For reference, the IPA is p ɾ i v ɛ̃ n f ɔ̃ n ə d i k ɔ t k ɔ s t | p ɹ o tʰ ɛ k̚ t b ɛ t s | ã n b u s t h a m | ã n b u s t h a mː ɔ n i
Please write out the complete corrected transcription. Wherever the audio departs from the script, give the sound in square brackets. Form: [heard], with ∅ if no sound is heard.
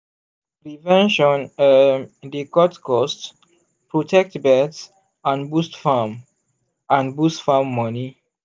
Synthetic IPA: p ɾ i v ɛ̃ n [ʃ] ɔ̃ n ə d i k ɔ t k ɔ s t | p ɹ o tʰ ɛ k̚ t b ɛ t s | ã n b u s t [f] a m | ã n b u s t [f] a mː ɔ n i